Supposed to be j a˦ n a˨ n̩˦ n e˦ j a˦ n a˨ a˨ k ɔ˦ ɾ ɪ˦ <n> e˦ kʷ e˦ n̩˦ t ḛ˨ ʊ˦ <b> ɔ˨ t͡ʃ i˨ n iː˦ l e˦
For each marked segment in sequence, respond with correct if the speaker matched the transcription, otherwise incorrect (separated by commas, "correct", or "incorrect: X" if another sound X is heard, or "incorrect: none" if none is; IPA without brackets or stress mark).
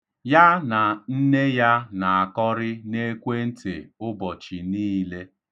correct, correct